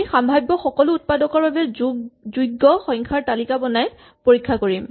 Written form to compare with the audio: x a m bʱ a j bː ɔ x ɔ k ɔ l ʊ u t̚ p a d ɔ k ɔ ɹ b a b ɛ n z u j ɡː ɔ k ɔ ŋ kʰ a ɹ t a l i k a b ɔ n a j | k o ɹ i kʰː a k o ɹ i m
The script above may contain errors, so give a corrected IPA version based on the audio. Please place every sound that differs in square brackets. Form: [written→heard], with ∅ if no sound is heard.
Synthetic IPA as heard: x a m bʱ a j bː ɔ x ɔ k ɔ l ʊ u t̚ p a d ɔ k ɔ ɹ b a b ɛ [n→∅] z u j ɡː ɔ [k→x] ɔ ŋ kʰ a ɹ t a l i k a b ɔ n a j | [k→p] o ɹ i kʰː a k o ɹ i m